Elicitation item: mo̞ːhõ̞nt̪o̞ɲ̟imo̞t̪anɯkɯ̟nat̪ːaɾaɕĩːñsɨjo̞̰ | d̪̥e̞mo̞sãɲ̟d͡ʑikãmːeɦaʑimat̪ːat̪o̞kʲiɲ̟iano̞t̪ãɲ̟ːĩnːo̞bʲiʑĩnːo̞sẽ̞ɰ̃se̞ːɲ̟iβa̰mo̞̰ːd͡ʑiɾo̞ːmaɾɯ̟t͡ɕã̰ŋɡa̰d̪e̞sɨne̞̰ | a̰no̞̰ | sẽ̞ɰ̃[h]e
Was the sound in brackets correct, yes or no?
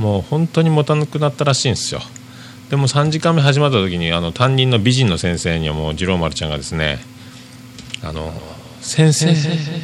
no